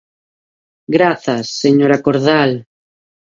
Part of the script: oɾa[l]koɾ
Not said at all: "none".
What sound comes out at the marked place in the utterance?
none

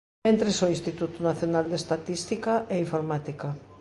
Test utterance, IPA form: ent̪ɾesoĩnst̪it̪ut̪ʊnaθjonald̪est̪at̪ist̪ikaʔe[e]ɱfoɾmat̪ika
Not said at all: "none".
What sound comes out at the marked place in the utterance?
i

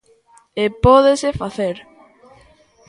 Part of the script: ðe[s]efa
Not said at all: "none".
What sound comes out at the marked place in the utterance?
s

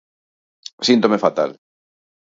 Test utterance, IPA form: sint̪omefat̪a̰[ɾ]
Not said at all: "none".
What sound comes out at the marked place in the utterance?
l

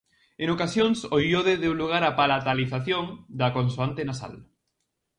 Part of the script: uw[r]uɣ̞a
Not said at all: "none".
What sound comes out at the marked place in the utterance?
l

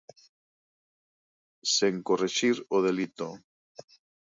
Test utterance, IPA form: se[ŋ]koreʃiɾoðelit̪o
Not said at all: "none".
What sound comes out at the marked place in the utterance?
ŋ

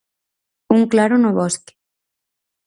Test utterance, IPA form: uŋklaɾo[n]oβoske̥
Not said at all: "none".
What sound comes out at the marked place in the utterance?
n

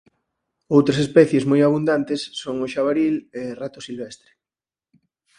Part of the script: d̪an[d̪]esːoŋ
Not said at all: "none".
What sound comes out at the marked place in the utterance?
t̪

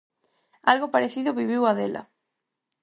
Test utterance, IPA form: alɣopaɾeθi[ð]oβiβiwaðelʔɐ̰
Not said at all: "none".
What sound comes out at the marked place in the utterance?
ð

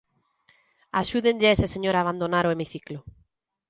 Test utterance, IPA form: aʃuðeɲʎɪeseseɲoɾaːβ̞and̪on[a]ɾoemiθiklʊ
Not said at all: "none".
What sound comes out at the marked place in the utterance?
a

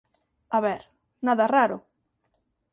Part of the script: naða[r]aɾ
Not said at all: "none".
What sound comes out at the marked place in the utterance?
r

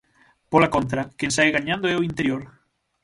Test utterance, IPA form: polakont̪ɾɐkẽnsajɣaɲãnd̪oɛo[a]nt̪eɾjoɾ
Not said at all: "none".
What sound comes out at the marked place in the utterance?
i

